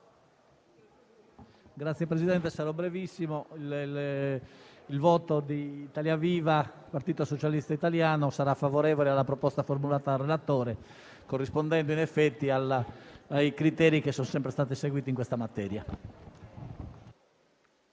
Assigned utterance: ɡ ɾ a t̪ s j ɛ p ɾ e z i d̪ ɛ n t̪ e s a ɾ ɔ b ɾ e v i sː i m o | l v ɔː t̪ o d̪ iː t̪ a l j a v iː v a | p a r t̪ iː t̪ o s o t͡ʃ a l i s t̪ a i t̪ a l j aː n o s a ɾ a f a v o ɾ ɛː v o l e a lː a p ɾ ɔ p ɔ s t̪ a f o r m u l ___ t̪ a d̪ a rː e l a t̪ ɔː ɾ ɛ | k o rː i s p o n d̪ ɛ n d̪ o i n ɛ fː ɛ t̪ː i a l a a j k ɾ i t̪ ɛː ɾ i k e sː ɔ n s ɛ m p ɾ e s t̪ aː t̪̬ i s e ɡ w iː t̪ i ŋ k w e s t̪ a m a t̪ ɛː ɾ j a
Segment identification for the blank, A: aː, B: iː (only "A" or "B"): A